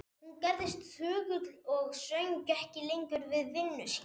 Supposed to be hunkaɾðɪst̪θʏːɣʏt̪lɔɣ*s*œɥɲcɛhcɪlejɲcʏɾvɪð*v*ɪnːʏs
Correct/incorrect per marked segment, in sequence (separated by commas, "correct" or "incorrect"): correct, correct